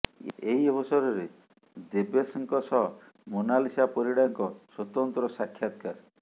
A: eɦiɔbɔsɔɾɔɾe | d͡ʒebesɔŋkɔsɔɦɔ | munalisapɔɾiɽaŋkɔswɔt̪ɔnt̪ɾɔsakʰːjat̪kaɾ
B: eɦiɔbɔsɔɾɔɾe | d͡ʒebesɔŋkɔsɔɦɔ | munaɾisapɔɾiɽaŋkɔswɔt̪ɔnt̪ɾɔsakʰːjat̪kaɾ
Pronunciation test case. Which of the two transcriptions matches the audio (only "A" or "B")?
A